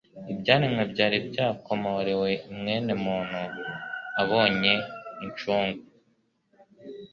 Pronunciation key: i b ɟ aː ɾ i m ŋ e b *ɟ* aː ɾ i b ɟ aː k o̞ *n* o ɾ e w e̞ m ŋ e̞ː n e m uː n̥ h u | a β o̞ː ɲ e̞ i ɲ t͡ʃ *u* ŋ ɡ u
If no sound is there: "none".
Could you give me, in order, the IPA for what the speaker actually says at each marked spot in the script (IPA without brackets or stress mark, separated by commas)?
ɟ, m, uː